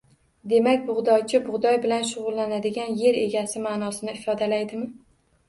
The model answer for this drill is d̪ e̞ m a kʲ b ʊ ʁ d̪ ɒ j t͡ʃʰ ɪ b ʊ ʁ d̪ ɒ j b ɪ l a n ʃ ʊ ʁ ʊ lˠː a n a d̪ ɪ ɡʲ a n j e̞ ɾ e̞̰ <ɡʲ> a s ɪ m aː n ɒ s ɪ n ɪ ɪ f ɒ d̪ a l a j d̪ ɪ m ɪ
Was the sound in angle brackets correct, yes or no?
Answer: yes